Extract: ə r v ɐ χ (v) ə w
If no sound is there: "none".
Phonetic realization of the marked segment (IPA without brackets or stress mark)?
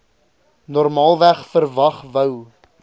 v